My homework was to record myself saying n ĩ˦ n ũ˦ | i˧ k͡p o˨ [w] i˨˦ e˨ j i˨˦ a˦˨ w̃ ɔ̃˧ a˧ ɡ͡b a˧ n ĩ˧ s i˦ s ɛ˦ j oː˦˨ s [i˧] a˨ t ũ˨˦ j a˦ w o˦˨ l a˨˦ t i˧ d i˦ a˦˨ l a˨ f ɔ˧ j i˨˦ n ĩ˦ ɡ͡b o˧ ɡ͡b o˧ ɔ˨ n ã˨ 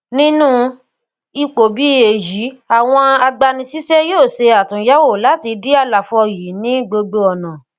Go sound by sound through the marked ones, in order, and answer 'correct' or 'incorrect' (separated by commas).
incorrect, incorrect